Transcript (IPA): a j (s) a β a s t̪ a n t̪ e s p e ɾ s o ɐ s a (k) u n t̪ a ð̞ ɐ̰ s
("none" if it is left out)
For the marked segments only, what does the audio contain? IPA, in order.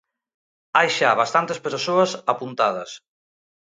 ʃ, p

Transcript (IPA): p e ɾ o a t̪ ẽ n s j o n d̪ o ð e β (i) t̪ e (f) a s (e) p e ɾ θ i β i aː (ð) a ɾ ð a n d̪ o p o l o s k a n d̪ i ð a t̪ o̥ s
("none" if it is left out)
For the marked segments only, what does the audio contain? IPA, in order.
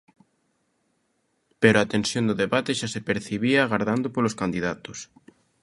a, ʃ, e, ɣ

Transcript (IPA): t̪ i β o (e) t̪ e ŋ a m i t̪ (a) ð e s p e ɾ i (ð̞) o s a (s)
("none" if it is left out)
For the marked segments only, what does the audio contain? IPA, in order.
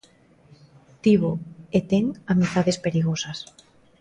e, a, ɣ̞, s

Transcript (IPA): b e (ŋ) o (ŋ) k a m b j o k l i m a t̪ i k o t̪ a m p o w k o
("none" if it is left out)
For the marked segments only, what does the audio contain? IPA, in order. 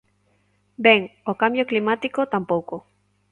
ŋ, none

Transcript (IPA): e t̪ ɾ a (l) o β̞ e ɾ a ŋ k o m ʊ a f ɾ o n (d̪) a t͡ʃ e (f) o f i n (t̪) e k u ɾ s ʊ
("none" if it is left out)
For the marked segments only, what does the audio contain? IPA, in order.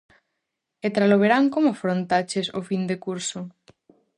l, t̪, s, d̪

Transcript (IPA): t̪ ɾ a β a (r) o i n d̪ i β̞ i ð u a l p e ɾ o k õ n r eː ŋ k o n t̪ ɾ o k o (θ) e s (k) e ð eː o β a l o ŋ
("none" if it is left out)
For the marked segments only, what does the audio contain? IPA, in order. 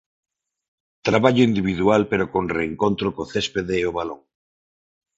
ʎ, θ, p

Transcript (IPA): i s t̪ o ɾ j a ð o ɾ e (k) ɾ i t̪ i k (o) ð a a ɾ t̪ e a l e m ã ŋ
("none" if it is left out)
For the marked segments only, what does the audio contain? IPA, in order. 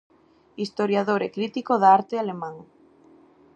k, o

